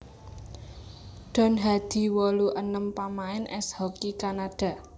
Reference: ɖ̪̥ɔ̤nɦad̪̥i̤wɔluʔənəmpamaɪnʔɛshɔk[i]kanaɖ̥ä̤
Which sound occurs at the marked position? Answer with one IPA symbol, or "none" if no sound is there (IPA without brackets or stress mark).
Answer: i